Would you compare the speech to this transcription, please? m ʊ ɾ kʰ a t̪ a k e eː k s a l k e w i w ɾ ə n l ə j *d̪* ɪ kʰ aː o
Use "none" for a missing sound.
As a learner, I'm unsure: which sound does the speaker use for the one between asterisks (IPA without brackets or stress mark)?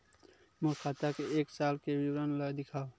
d̪